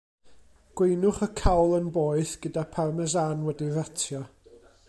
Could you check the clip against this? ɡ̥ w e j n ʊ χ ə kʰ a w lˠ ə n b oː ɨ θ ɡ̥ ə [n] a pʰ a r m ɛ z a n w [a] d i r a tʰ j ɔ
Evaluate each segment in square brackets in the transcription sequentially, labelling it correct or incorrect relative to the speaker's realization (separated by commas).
incorrect, incorrect